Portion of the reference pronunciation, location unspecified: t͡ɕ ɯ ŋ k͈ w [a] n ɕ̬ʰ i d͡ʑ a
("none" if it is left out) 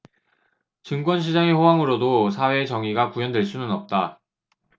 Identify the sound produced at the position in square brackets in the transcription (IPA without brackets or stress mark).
ʌ